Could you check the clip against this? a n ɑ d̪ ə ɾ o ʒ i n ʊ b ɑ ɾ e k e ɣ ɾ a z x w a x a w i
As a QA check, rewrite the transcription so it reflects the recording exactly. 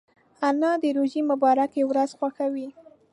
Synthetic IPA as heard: a n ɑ d̪ ə ɾ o ʒ i m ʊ b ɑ ɾ a k e w ɾ a z x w a x a w i